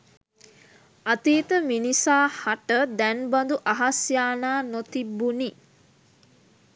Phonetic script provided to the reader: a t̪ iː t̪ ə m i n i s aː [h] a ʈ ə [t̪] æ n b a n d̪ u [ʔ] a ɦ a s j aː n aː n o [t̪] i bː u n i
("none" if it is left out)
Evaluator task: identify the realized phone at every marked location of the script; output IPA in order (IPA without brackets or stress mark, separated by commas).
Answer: h, d̪, ʔ, t̪